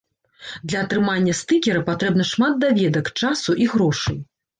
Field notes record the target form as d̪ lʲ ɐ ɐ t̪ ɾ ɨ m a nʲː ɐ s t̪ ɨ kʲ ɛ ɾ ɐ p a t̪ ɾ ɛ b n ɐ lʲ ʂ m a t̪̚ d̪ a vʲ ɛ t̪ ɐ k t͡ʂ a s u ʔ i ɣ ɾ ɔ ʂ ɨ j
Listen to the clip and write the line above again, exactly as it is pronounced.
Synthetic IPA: d̪ lʲ ɐ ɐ t̪ ɾ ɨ m a nʲː ɐ s t̪ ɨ kʲ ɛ ɾ ɐ p a t̪ ɾ ɛ b n ɐ ʂ m a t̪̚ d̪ a vʲ ɛ d̪ ɐ k t͡ʂ a s u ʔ i ɣ ɾ ɔ ʂ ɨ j